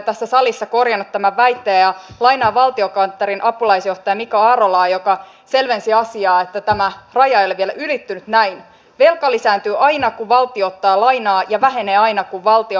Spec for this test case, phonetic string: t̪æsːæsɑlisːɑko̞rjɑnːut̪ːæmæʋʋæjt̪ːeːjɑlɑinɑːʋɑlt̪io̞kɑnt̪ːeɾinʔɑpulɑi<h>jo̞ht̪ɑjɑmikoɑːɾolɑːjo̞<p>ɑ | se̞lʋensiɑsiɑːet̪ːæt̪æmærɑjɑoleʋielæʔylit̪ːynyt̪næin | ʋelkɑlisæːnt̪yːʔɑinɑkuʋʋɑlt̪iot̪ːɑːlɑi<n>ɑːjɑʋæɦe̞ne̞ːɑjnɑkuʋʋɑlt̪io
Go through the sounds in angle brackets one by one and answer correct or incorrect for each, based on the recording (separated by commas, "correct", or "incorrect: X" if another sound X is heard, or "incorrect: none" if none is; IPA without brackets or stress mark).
incorrect: s, incorrect: k, correct